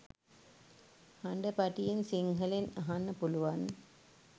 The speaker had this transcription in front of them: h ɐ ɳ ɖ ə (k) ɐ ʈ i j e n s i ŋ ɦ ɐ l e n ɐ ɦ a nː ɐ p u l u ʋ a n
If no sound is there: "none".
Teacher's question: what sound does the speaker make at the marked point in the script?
p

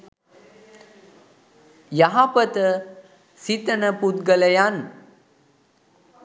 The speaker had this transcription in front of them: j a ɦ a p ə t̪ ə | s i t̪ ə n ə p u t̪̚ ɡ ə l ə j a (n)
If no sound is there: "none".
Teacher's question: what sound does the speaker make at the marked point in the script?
n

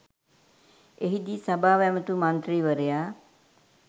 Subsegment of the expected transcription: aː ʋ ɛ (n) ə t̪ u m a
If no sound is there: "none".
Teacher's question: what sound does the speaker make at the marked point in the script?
m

